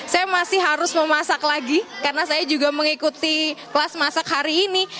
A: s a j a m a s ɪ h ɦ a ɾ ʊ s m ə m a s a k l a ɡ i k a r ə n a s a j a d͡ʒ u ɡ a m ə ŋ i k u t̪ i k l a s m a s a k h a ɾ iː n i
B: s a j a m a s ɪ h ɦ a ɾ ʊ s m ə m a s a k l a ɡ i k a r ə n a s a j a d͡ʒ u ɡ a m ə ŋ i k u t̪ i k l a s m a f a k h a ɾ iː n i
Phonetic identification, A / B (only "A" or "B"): A